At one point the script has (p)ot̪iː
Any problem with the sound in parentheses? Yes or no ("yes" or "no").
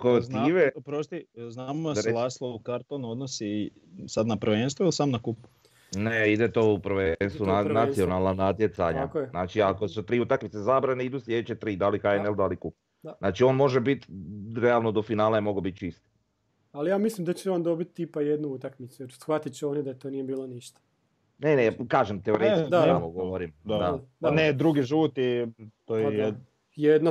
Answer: yes